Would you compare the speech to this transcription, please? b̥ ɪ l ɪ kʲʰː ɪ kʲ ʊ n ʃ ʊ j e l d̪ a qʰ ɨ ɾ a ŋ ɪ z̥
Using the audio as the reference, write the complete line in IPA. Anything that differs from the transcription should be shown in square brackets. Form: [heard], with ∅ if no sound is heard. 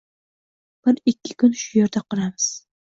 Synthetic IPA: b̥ ɪ [ɾ] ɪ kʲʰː ɪ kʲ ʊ n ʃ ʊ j e [ɾ] d̪ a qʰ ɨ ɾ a [m] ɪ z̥